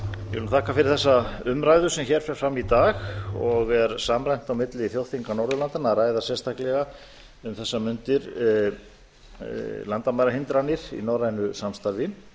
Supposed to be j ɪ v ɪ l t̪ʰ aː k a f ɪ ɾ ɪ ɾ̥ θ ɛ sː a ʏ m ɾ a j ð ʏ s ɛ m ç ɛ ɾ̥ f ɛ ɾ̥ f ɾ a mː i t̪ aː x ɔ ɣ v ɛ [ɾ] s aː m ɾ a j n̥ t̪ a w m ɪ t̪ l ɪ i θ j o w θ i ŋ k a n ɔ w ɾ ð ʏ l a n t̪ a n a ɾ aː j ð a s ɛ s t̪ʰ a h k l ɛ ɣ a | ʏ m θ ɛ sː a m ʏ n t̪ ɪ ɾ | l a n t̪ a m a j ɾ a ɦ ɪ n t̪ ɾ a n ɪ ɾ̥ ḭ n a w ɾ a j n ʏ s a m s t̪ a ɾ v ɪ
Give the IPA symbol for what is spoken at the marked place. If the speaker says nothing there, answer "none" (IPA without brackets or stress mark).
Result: ɾ